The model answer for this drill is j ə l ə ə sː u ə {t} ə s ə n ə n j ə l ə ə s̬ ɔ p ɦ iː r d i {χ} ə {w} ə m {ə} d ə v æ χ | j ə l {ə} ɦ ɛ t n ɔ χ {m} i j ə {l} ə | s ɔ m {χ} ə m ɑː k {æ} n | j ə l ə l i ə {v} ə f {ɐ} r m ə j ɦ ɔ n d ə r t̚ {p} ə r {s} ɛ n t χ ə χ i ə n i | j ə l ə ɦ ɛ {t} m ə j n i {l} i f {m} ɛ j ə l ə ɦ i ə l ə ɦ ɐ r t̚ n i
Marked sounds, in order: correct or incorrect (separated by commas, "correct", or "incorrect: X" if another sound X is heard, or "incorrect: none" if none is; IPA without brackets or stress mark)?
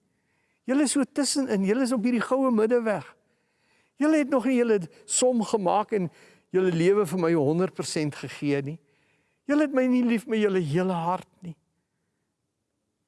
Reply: correct, correct, correct, correct, correct, incorrect: n, correct, correct, incorrect: ɛ, correct, incorrect: ə, correct, correct, correct, correct, correct